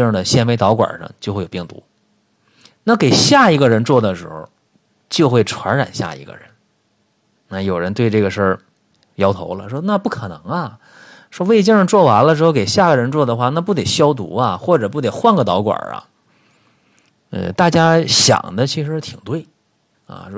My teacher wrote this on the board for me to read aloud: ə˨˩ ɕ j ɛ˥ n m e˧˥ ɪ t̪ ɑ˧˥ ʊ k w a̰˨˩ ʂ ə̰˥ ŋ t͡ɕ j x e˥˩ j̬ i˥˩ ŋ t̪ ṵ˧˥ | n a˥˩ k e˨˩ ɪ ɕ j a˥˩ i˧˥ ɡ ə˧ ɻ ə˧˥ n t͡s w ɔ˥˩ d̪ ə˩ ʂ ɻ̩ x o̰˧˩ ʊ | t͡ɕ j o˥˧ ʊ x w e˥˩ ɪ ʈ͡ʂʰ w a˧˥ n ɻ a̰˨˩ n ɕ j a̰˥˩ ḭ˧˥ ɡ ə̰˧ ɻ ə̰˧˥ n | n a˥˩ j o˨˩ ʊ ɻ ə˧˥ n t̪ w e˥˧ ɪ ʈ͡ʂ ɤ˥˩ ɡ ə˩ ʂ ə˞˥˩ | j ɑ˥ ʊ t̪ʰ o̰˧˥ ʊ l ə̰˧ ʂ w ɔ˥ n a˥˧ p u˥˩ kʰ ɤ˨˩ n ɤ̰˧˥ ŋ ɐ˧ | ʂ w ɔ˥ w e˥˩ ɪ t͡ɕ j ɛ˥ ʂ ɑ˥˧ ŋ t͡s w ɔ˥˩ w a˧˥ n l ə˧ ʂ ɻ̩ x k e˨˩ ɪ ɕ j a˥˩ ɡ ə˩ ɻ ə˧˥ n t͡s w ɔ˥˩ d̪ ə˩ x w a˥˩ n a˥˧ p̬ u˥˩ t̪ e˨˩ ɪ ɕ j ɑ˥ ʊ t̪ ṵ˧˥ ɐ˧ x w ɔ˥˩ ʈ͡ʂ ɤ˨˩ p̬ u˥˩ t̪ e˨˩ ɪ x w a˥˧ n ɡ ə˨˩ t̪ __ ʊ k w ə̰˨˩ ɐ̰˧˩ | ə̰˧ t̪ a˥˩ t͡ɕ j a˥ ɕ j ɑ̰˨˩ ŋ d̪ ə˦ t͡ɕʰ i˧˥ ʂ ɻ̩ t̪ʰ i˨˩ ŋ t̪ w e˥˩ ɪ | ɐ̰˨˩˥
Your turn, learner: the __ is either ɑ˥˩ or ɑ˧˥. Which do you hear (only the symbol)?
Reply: ɑ˧˥